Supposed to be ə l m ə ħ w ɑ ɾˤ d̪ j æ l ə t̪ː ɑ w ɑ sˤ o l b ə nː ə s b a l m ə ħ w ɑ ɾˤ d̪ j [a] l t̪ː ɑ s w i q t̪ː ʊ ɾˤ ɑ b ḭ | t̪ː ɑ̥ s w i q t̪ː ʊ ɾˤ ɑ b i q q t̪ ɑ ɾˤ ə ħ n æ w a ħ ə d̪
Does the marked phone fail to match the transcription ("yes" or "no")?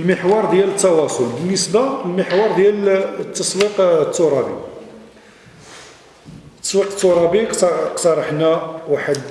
yes